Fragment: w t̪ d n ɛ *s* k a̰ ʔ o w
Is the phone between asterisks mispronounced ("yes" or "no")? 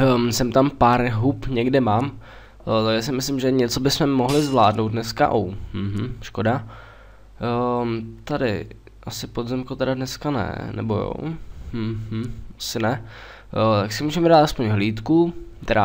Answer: no